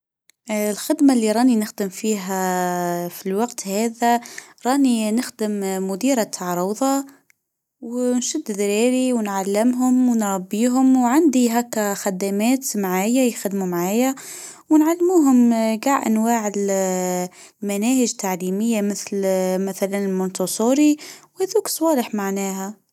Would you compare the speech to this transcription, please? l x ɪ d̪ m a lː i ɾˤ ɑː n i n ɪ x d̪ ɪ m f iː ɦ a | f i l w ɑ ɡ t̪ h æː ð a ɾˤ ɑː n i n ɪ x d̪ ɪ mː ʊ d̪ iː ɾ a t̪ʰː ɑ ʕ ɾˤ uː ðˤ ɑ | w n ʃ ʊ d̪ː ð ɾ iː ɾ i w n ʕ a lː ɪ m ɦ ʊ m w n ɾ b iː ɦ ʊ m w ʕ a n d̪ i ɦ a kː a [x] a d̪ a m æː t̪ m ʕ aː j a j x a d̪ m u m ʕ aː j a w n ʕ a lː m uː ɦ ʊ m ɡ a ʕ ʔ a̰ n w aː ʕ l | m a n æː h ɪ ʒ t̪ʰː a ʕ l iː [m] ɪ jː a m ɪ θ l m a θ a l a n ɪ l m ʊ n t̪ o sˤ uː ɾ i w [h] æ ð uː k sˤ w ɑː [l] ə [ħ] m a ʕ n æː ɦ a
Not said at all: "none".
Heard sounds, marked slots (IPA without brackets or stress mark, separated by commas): x, m, h, l, ħ